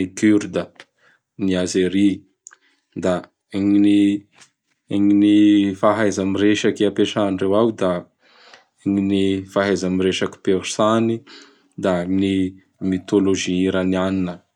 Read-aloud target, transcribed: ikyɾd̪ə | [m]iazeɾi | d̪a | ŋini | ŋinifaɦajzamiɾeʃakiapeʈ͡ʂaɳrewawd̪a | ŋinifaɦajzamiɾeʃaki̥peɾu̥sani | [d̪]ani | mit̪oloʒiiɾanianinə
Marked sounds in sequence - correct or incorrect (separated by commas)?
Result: incorrect, correct